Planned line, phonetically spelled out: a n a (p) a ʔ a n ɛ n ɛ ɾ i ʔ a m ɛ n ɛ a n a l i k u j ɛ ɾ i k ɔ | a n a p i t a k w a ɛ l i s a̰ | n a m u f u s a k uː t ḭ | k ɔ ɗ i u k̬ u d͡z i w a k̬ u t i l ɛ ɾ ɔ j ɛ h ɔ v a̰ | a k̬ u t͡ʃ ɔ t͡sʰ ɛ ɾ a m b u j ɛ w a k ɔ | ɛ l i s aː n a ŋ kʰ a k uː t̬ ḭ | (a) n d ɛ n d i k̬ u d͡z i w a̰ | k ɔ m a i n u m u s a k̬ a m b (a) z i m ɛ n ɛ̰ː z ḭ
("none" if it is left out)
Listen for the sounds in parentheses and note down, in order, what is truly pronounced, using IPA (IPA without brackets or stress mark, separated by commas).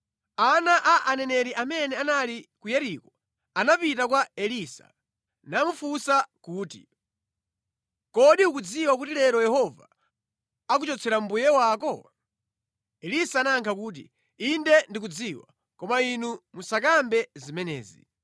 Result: ʔ, i, ɛ